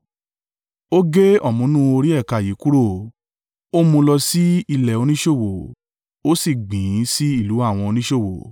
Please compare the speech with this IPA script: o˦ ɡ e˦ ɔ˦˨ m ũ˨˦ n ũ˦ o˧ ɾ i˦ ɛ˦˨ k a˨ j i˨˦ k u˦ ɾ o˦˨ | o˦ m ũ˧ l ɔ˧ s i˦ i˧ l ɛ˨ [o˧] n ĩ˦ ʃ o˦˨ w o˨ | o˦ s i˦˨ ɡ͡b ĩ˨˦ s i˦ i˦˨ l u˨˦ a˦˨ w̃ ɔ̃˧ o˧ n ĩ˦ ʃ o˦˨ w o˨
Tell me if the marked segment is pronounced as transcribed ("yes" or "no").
yes